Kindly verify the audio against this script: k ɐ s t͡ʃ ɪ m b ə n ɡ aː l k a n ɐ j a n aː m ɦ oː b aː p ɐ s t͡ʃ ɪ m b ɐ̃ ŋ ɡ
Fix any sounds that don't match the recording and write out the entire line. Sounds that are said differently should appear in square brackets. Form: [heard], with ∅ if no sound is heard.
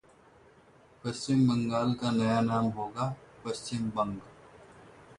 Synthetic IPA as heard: [p] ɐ s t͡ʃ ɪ m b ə [ŋ] ɡ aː l k a n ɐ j a n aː m ɦ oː [ɡ] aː p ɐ s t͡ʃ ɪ m b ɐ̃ ŋ ɡ

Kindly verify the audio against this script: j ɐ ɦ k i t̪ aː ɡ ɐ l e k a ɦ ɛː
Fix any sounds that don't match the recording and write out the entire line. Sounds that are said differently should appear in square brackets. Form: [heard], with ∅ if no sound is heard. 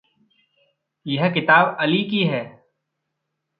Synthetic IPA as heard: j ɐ ɦ k [ɪ] t̪ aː [b] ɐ l [i] k [i] ɦ ɛː

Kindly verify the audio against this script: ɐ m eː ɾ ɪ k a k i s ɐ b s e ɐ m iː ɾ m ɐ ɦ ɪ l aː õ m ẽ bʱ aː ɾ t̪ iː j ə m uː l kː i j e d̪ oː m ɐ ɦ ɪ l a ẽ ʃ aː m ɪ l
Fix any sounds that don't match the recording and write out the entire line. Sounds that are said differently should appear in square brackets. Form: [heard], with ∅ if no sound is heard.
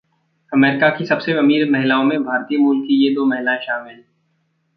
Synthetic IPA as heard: ɐ m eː ɾ ɪ k a k i s ɐ b s e ɐ m iː ɾ m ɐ ɦ ɪ l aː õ m ẽ bʱ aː ɾ t̪ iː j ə m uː l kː i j e d̪ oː m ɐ ɦ ɪ l a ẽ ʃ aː m ɪ l

